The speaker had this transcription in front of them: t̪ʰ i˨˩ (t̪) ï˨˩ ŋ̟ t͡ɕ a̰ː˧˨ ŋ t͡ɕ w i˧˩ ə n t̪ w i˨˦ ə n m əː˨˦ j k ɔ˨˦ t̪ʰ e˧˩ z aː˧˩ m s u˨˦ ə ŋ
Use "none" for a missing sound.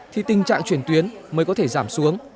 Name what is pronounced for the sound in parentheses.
t̪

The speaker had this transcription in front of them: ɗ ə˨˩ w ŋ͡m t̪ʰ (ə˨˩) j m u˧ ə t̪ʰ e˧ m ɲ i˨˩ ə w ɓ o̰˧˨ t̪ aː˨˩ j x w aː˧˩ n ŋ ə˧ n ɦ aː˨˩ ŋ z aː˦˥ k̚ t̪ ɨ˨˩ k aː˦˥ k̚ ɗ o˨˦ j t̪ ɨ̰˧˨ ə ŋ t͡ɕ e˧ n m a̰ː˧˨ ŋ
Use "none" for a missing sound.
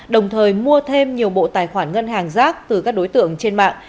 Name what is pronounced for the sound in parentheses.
əː˨˩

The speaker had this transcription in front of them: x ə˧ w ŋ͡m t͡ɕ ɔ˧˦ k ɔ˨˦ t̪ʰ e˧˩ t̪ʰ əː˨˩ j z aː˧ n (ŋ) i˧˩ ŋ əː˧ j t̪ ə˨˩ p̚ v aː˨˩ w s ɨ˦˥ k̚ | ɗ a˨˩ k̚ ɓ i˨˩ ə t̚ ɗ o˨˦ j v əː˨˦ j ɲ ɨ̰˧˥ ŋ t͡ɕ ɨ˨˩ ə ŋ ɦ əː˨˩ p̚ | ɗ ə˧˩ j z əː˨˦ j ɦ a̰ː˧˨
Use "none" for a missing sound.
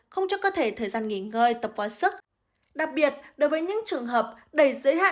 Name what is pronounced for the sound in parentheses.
ŋ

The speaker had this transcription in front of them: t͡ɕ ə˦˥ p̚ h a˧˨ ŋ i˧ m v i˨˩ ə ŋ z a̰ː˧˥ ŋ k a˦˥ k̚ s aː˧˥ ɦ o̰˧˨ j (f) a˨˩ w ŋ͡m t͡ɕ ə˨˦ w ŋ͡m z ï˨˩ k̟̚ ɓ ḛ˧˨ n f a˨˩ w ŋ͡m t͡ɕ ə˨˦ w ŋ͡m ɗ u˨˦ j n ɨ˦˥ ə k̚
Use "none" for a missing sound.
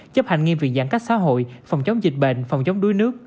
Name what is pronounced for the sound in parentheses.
f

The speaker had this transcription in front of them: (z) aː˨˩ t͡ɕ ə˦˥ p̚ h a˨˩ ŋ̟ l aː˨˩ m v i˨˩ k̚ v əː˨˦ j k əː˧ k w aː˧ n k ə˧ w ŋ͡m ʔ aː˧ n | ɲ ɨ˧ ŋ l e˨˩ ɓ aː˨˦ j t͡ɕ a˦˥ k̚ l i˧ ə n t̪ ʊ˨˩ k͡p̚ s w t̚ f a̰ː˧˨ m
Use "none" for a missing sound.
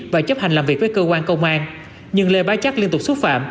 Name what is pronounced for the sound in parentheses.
v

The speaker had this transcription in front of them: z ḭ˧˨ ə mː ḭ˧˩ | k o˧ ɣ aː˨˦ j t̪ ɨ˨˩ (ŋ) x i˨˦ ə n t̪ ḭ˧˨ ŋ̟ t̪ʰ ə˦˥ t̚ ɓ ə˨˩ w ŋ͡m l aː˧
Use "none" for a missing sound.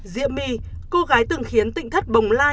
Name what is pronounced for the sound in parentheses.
ŋ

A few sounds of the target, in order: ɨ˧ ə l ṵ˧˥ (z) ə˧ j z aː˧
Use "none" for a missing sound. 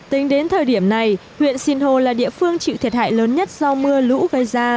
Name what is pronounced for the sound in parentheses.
ɣ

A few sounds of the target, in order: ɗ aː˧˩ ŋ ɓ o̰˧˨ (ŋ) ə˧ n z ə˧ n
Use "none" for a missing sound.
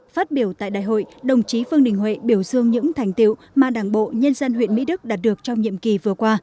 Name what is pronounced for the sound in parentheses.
ɲ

